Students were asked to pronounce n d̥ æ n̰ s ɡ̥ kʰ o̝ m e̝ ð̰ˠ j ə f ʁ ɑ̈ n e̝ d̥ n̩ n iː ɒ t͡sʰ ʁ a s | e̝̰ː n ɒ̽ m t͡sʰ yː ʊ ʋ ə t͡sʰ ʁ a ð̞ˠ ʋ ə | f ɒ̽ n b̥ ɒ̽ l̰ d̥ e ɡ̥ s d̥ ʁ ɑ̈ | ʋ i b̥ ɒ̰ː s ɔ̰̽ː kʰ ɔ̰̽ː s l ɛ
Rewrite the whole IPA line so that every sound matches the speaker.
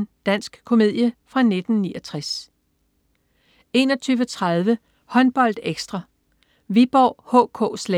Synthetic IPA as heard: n d̥ æ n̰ s ɡ̥ kʰ o̝ m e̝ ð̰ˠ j ə f ʁ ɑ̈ n e̝ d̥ n̩ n iː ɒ t͡sʰ ʁ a s | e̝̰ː n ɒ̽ t͡sʰ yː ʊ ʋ ə t͡sʰ ʁ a ð̞ˠ ʋ ə | h ɒ̽ n b̥ ɒ̽ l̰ d̥ e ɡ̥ s d̥ ʁ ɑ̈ | ʋ i b̥ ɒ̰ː h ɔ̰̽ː kʰ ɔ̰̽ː s l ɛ